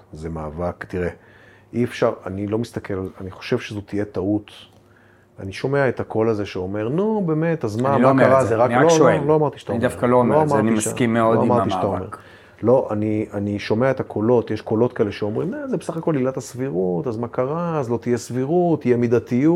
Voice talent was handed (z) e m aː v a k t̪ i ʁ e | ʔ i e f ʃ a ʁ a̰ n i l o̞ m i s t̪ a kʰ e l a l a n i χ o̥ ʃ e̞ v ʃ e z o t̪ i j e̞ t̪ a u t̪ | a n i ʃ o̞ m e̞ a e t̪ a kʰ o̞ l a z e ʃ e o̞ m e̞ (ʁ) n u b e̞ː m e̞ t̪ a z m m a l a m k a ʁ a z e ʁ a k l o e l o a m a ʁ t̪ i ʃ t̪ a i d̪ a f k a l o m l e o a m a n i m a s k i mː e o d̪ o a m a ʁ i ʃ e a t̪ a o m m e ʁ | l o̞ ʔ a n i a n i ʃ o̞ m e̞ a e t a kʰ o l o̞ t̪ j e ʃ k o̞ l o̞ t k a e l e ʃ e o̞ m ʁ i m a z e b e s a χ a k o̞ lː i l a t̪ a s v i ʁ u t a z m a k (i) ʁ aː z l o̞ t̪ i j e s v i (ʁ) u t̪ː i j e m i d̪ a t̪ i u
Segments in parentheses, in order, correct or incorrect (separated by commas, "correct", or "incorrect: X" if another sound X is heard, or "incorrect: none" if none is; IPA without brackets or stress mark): correct, correct, incorrect: a, correct